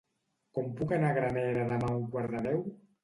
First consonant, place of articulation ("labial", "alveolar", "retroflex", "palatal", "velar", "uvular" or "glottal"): velar